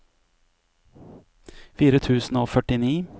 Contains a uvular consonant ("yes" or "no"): no